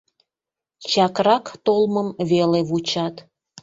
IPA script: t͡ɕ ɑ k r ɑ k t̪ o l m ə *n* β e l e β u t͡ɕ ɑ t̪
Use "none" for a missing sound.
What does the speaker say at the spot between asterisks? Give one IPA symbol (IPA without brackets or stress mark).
m